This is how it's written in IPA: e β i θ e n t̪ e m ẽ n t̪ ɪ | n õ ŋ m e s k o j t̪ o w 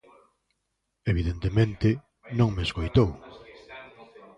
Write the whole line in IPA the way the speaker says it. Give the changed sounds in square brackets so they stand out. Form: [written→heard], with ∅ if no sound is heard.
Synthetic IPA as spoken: e β i [θ→ð] e n t̪ e m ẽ n t̪ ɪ | n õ ŋ m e s k o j t̪ o w